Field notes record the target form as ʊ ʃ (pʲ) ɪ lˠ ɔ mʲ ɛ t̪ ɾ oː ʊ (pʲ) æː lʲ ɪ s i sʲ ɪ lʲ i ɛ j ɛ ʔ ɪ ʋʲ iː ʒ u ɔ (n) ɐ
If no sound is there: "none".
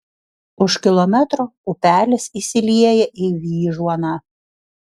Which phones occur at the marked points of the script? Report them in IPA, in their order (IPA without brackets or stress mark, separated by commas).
kʲ, pʲ, n